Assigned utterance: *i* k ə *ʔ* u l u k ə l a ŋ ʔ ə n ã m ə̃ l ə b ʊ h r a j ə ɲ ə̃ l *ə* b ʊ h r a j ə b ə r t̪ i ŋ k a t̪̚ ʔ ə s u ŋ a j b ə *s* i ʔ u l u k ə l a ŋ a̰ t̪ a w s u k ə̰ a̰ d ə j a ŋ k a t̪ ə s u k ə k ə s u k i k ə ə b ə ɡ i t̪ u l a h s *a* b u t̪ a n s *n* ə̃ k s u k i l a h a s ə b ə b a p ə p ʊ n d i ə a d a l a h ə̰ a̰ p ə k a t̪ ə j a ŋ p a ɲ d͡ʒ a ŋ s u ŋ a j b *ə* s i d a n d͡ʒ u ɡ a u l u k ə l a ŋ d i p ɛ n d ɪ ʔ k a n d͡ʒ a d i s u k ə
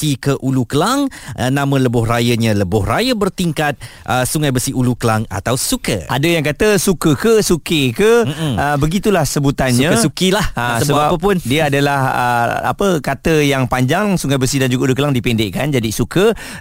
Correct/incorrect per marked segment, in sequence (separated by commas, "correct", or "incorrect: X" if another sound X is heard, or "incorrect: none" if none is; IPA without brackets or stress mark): correct, correct, correct, correct, incorrect: ə, incorrect: ɲ, correct